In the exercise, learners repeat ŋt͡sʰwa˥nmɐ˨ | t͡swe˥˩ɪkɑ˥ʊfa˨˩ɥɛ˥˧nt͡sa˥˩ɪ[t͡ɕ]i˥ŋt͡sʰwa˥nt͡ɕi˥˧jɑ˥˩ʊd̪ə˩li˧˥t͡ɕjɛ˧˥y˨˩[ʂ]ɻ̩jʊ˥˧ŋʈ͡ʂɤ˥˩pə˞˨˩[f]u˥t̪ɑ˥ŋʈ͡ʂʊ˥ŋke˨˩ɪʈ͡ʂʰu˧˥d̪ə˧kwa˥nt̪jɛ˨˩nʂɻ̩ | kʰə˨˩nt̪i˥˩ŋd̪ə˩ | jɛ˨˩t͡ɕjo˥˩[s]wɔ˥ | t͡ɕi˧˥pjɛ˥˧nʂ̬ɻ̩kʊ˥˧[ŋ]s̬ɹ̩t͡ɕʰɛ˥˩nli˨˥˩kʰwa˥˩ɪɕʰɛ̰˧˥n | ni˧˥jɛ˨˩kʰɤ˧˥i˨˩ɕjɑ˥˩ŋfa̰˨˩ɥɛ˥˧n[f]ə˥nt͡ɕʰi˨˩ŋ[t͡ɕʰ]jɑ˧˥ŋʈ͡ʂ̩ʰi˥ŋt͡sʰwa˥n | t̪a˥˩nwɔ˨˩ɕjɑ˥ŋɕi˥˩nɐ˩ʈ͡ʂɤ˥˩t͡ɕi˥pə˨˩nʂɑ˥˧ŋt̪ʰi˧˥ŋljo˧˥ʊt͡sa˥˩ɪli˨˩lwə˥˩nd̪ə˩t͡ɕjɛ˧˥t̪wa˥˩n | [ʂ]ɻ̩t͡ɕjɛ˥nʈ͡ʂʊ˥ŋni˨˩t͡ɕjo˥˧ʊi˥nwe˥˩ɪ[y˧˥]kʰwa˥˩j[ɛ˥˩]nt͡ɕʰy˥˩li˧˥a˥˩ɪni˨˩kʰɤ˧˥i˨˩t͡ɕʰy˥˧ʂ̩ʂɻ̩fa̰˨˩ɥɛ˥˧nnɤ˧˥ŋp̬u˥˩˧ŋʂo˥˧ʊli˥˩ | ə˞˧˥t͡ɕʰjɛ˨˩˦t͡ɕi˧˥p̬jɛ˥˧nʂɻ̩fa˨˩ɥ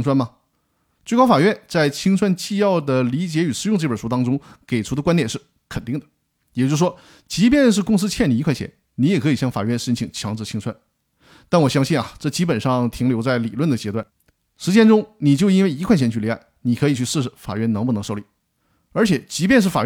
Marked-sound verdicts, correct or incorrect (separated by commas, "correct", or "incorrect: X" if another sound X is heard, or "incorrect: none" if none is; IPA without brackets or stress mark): incorrect: t͡ɕʰ, correct, incorrect: ʂ, incorrect: ʂ, correct, incorrect: ʂ, correct, correct, incorrect: i˧˥, incorrect: ɛ˧˥